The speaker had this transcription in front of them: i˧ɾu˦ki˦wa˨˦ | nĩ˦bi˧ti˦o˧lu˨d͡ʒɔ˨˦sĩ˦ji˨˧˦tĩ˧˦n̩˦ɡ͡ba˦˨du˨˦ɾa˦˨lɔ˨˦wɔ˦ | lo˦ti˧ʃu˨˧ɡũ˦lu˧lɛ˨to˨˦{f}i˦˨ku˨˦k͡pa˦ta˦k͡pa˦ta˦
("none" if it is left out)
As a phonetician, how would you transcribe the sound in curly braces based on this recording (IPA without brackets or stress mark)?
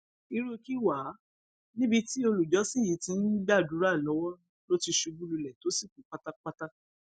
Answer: s